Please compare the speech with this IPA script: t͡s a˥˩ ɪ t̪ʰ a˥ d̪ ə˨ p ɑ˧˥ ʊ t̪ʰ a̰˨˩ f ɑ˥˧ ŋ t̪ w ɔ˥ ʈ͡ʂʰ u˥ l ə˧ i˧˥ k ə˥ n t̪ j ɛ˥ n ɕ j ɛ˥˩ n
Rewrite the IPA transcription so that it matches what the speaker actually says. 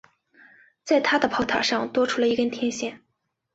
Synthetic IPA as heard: t͡s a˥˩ ɪ t̪ʰ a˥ d̪ ə˨ pʰ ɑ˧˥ ʊ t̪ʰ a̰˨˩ ʂ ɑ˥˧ ŋ t̪ w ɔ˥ ʈ͡ʂʰ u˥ l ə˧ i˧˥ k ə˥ n t̪ʰ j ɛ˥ n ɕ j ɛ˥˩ n